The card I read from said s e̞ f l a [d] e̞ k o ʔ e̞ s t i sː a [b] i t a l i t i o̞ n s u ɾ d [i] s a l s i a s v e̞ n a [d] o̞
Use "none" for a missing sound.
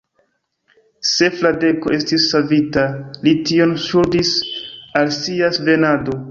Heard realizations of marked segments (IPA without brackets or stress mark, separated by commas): d, v, i, d